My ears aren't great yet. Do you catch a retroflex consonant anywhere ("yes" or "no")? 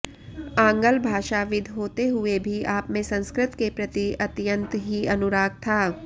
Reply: no